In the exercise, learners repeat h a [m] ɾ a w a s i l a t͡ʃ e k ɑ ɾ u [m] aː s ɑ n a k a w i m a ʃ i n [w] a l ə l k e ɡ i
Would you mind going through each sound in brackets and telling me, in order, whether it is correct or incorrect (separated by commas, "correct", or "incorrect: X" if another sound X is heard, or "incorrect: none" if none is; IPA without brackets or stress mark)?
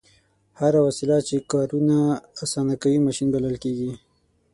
incorrect: none, incorrect: n, incorrect: b